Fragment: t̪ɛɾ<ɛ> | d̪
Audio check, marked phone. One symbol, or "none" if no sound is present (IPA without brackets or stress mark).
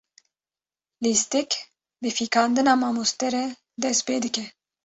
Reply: ɛ